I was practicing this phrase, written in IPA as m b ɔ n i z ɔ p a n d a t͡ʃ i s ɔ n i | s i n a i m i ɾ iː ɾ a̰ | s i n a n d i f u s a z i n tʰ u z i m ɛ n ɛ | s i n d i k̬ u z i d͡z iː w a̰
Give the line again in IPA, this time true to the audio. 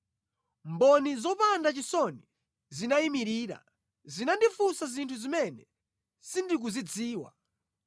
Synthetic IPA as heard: m b ɔ n i z ɔ p a n d a t͡ʃ i s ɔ n i | z i n a i m i ɾ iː ɾ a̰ | z i n a n d i f u s a z i n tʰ u z i m ɛ n ɛ | s i n d i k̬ u z i d͡z iː w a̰